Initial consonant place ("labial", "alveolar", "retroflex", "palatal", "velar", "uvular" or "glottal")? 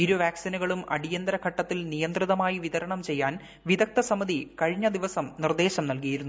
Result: alveolar